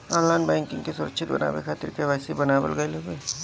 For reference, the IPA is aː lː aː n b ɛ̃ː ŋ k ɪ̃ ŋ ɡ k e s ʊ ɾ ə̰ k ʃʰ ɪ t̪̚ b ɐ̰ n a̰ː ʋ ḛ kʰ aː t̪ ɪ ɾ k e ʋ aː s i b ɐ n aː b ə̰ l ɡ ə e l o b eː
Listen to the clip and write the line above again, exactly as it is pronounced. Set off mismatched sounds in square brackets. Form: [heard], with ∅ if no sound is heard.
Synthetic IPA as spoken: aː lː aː n b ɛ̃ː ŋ k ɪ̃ ŋ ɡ k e s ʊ ɾ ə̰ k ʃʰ ɪ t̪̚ b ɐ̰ n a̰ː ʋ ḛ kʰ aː t̪ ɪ ɾ k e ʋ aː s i b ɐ n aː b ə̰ l ɡ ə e l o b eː